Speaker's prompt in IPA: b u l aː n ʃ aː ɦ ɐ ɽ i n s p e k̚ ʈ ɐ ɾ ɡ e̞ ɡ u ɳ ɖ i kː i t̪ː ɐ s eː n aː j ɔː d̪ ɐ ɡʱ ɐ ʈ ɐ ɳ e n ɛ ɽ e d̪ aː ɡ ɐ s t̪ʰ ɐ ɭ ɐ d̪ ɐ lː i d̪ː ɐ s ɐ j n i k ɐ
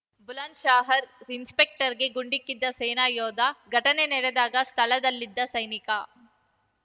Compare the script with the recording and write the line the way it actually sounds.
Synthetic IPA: b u l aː n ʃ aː ɦ ɐ ɾ i n s p e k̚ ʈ ɐ ɾ ɡ e̞ ɡ u ɳ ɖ i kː i d̪ː ɐ s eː n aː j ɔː d̪ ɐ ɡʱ ɐ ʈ ɐ n e n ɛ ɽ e d̪ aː ɡ ɐ s t̪ʰ ɐ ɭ ɐ d̪ ɐ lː i d̪ː ɐ s ɐ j n i k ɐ